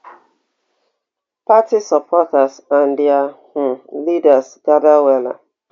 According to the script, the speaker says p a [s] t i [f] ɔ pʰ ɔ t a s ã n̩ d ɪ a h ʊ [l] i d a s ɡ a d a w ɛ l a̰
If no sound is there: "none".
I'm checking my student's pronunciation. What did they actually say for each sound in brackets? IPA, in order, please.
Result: none, s, l

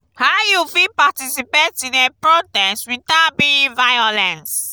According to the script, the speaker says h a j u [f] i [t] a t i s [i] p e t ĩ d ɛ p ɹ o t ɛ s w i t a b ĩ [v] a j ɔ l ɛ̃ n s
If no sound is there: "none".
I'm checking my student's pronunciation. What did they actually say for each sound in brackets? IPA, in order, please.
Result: f, p, i, v

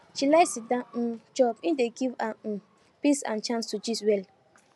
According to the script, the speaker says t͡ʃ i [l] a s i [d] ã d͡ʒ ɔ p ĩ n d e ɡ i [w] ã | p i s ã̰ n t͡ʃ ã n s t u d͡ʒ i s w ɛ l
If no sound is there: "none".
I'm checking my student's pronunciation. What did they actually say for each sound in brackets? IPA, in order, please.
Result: l, d, v

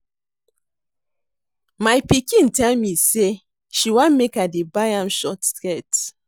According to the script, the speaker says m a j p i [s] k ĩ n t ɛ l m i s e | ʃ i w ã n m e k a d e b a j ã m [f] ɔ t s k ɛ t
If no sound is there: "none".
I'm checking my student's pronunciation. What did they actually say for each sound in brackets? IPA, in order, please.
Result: none, ʃ

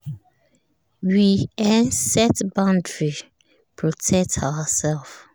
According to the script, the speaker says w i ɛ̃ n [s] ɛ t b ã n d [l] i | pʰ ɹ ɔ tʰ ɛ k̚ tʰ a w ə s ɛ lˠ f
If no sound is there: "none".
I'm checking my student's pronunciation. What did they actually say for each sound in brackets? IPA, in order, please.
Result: s, ɹ

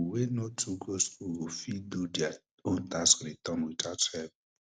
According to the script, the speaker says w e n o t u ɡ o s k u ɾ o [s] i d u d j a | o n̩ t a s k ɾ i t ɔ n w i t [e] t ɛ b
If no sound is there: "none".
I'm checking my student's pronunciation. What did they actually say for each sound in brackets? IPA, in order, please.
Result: f, a

